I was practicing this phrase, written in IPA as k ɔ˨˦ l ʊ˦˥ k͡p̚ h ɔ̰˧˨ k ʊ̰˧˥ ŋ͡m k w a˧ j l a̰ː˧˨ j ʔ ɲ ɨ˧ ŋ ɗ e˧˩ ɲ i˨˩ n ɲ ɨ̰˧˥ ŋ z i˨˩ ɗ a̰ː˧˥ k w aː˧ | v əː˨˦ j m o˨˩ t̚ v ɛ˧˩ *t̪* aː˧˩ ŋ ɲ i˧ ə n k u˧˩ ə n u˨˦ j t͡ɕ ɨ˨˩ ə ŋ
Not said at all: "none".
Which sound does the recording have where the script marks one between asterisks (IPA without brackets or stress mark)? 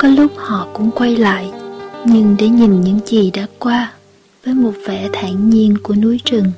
t̪ʰ